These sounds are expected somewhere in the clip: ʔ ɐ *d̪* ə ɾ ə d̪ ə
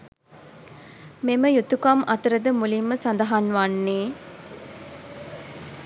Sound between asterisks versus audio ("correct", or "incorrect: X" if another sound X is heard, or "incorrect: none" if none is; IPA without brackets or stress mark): incorrect: t̪